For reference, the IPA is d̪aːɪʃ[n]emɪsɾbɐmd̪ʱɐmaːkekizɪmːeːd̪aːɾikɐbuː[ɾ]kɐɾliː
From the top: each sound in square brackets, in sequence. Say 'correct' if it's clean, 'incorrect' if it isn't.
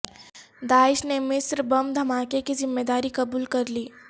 correct, incorrect: l

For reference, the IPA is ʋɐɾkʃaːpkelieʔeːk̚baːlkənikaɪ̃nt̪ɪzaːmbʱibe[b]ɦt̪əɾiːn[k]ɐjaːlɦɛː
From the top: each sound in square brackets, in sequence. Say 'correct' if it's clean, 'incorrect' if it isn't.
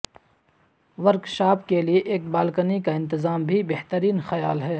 incorrect: none, incorrect: x

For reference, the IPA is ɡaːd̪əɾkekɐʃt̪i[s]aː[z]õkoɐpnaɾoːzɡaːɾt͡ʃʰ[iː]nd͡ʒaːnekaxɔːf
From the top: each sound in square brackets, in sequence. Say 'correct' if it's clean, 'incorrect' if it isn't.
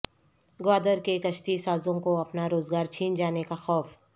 correct, correct, correct

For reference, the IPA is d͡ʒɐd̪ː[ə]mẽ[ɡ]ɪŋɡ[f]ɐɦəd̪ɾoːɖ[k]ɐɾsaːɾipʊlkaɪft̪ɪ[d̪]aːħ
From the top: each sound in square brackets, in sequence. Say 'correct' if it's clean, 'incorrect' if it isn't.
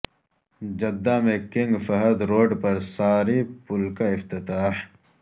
incorrect: a, incorrect: k, correct, incorrect: p, incorrect: t̪

